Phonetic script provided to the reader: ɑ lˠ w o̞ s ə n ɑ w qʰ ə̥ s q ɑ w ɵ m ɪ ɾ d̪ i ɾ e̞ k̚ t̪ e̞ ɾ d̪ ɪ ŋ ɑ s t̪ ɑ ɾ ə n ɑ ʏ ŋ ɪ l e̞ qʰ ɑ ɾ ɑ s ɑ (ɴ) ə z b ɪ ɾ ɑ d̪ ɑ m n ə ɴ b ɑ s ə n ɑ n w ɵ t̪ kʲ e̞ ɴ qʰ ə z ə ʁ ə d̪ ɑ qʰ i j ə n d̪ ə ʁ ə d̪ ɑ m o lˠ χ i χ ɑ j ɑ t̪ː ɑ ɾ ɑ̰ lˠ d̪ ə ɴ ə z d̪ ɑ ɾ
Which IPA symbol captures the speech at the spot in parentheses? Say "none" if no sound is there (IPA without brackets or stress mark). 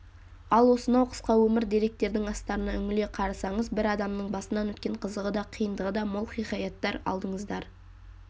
ɴ